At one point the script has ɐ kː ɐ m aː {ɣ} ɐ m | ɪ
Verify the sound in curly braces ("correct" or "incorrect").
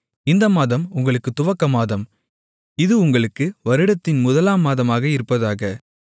incorrect